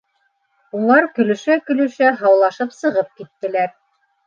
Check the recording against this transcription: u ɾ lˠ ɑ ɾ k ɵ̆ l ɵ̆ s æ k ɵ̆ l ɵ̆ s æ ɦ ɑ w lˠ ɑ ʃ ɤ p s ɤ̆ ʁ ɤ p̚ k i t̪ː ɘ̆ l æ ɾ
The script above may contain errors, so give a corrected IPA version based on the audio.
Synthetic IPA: u lˠ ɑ ɾ k ɵ̆ l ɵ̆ ʃ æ k ɵ̆ l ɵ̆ ʃ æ ɦ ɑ w lˠ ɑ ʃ ɤ p s ɤ̆ ʁ ɤ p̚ k i t̪ː ɘ̆ l æ ɾ